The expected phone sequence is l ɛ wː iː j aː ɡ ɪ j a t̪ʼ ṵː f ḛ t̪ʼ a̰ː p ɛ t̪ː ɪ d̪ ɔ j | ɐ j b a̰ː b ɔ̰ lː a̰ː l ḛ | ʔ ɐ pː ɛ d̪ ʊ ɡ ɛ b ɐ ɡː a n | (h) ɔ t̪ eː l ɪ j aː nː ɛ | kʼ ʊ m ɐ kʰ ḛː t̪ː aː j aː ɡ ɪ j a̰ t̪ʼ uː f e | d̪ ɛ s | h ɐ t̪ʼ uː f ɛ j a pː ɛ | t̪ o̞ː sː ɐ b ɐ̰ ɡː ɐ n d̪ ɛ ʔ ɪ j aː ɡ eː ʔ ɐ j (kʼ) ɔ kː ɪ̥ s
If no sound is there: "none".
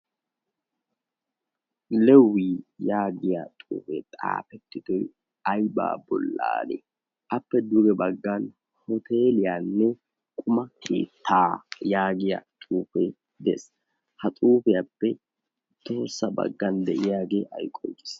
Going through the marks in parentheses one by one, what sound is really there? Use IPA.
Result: h, kʼ

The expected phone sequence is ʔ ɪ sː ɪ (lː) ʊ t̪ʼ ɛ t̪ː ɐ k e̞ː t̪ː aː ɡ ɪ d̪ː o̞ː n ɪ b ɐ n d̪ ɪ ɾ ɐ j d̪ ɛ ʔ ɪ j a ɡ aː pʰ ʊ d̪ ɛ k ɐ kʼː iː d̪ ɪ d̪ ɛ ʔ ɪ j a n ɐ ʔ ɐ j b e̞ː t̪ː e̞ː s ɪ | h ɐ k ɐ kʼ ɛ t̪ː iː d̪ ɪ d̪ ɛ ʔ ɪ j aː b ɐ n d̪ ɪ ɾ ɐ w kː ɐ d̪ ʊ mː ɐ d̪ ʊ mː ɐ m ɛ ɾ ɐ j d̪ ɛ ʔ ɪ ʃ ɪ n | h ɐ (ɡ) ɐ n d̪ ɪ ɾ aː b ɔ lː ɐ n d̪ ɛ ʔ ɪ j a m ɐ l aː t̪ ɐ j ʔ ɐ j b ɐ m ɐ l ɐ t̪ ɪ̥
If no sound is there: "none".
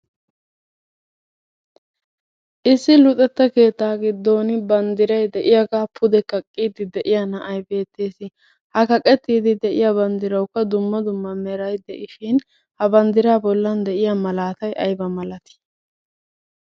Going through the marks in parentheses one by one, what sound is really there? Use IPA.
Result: l, b

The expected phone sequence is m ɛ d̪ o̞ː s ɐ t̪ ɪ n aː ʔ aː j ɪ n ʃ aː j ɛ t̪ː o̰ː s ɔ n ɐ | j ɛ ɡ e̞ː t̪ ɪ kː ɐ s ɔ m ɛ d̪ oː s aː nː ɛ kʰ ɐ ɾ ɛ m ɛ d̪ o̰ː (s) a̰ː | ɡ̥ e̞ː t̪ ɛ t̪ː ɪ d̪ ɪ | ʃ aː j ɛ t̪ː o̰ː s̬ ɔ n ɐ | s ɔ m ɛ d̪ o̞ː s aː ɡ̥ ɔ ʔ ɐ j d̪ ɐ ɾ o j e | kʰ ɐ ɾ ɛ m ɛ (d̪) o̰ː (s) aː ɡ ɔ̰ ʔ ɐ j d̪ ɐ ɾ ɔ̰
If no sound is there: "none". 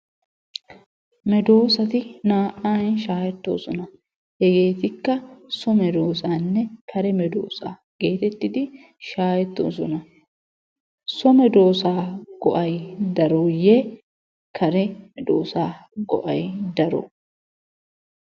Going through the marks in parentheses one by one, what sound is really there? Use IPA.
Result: s, d̪, s

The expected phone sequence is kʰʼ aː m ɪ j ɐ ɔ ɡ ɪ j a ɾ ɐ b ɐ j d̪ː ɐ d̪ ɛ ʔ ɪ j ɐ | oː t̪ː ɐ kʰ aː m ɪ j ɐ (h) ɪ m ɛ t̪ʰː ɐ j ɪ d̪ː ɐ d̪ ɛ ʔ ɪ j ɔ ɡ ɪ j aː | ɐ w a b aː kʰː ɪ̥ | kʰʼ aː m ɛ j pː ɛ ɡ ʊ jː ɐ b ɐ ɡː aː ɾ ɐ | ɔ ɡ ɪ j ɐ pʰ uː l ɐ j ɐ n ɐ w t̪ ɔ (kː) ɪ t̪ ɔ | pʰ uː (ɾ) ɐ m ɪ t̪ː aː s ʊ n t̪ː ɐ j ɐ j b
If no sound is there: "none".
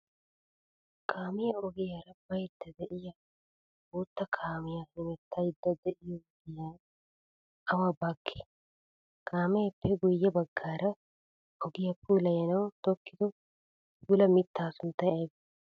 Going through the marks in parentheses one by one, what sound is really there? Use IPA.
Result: h, kː, l

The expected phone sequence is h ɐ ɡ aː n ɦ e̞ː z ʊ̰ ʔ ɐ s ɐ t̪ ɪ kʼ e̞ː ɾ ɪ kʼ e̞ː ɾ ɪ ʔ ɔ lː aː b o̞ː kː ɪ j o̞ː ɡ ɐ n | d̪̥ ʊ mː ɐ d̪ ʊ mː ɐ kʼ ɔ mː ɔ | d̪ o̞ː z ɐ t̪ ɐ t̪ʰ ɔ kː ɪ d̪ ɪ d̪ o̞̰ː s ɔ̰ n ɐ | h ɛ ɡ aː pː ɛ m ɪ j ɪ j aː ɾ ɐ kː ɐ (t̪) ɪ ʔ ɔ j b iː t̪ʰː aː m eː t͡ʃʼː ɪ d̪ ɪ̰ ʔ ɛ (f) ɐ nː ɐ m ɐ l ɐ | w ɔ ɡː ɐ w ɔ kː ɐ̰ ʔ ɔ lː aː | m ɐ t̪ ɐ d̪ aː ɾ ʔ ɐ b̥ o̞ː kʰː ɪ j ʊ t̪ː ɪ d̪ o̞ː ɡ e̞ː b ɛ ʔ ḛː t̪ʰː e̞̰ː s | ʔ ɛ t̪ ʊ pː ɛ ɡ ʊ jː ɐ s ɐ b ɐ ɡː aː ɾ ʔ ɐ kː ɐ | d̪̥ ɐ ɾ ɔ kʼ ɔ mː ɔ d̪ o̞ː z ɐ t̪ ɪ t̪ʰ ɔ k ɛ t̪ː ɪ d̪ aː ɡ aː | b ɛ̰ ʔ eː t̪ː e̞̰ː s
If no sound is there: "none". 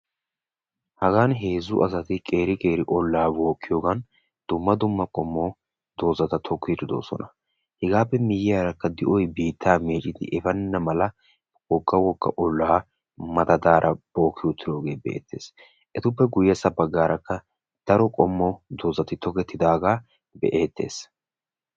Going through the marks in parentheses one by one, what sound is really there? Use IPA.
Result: d̪, f

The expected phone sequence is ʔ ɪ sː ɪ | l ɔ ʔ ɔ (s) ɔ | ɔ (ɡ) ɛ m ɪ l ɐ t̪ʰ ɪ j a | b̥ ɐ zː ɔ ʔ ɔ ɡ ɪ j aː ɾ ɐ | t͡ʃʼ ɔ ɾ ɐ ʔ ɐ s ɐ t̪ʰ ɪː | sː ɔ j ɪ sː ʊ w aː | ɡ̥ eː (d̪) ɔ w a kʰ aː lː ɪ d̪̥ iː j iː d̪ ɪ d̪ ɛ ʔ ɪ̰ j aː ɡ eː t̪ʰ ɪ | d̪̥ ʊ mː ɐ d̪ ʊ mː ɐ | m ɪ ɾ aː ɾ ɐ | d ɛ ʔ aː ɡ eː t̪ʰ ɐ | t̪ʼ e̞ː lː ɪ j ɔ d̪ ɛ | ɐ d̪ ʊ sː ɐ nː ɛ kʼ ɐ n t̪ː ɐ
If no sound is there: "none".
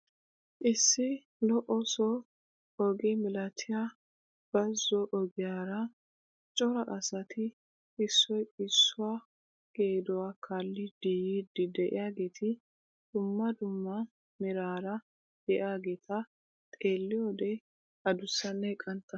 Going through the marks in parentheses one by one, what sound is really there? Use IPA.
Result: s, ɡ, d̪

